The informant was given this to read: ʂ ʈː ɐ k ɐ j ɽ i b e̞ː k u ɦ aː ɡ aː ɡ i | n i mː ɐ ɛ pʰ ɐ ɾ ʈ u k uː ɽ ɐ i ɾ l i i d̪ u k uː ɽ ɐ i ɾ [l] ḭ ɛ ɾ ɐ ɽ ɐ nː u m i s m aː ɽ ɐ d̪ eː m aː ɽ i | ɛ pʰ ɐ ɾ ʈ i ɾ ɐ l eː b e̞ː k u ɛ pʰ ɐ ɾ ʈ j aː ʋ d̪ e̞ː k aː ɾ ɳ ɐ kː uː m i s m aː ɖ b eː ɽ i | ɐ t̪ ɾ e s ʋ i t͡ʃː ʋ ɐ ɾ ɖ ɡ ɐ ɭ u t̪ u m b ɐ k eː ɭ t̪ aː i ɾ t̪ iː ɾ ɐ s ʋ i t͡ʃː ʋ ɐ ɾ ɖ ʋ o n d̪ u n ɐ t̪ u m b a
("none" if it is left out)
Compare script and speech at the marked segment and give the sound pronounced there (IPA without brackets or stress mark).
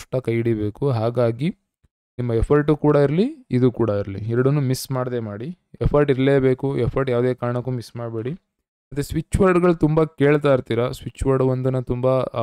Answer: l